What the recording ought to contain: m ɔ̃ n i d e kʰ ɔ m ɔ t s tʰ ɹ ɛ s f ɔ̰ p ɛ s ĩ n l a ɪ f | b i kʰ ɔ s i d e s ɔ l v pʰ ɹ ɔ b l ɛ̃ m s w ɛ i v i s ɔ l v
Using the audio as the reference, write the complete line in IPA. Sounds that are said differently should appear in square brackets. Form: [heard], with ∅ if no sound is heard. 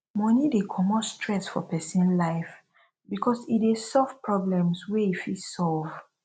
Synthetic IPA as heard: m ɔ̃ n i d e kʰ ɔ m ɔ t s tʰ ɹ ɛ s f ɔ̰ p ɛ s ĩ n l a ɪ f | b i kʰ ɔ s i d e s ɔ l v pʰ ɹ ɔ b l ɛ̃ m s w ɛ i [f] i s ɔ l v